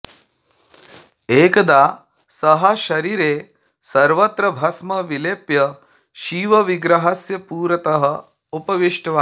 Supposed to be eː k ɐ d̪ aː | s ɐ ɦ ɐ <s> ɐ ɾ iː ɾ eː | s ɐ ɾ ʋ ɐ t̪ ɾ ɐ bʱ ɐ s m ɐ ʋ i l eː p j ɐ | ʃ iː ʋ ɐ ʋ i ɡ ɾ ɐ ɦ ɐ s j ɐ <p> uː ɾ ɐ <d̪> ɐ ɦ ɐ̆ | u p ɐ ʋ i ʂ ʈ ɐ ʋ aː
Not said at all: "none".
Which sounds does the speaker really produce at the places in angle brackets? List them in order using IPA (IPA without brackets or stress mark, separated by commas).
ʃ, p, t̪